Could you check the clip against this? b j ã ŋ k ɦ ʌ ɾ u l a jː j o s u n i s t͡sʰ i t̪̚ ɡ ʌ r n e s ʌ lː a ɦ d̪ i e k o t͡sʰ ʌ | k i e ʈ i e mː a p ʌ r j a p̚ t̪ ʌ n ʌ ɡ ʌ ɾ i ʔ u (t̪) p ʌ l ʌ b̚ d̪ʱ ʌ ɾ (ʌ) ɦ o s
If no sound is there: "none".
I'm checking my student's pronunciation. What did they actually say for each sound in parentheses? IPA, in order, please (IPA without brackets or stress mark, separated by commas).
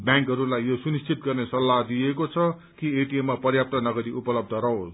none, ʌ